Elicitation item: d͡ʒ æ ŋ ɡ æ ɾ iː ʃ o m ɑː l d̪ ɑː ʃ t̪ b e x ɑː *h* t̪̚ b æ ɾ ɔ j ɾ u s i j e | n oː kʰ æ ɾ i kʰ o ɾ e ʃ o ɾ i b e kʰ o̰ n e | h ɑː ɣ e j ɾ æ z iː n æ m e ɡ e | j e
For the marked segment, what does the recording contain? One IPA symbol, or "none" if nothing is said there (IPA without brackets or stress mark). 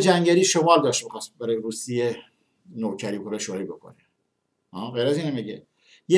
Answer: s